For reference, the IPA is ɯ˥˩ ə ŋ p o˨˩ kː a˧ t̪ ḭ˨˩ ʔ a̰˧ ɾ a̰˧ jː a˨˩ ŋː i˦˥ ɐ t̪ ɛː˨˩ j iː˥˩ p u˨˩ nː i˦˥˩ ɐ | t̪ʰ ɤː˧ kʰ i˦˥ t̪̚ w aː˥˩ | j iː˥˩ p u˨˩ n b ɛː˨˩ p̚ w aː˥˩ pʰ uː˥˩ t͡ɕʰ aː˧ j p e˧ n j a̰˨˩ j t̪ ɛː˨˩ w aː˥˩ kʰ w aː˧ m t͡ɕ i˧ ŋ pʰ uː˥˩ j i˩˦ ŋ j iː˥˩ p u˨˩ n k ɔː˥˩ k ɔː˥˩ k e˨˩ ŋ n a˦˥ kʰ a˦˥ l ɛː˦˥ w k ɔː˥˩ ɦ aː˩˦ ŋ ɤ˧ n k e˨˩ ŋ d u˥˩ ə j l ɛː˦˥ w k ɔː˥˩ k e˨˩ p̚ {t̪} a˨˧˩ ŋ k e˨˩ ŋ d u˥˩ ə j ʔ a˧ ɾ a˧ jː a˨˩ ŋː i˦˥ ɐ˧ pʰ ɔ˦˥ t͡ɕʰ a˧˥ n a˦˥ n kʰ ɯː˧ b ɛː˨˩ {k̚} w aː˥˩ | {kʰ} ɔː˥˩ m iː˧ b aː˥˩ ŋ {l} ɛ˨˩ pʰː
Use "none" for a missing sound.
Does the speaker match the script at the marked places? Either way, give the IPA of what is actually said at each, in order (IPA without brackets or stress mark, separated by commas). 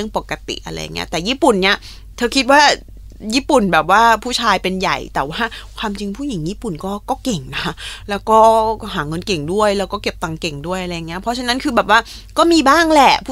t̪, p̚, k, l